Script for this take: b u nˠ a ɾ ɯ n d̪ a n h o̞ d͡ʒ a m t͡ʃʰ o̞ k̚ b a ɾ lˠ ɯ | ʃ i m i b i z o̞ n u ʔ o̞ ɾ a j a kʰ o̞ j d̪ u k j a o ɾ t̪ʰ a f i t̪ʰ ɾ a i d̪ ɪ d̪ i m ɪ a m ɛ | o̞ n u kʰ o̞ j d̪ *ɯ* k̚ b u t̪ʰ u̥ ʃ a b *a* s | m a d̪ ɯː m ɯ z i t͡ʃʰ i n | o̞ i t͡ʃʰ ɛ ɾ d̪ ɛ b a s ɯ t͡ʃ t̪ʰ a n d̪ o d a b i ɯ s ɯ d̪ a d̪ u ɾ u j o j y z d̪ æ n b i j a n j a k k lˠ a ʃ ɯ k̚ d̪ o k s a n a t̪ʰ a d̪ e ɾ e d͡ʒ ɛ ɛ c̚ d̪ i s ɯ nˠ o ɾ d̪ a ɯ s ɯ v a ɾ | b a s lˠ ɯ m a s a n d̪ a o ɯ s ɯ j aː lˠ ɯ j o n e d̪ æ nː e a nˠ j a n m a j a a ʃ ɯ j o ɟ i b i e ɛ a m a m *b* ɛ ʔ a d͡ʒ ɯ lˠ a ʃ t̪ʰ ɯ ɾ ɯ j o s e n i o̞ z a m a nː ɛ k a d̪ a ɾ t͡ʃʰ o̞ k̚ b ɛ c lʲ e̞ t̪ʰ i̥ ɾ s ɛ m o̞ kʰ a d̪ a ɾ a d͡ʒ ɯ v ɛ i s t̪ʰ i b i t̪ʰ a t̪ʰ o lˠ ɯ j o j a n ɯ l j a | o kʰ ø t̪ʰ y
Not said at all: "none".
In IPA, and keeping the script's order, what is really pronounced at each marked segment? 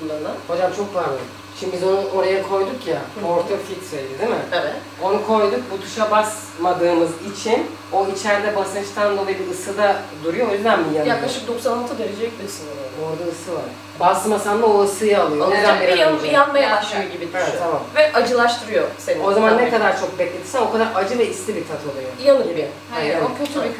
u, a, v

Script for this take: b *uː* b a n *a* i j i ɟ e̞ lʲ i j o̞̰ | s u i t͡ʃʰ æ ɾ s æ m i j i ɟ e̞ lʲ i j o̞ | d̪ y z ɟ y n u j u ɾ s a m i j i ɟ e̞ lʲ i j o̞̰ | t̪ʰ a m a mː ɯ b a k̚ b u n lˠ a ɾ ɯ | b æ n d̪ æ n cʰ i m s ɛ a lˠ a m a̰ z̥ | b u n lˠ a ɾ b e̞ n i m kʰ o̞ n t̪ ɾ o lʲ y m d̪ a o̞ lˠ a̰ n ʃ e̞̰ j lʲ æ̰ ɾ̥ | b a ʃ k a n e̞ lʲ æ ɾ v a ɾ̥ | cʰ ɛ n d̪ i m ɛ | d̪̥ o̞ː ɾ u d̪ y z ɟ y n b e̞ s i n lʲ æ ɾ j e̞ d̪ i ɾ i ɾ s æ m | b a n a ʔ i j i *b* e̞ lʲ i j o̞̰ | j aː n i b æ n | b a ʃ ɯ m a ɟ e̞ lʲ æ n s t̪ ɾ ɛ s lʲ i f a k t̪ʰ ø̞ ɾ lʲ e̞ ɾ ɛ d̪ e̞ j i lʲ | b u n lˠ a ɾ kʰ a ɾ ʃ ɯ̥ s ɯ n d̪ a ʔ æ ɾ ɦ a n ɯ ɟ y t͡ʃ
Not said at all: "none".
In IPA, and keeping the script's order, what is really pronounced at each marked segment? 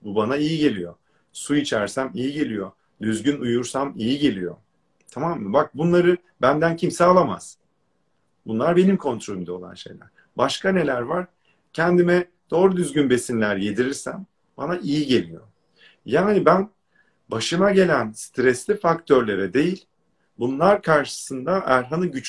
u, a, ɟ

